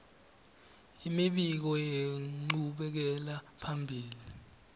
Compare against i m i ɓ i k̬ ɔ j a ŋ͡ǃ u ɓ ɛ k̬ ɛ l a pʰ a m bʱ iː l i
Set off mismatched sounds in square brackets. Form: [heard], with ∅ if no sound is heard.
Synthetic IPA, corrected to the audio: i m i ɓ i k̬ ɔ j [e] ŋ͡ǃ u ɓ ɛ k̬ ɛ l a pʰ a m bʱ iː l i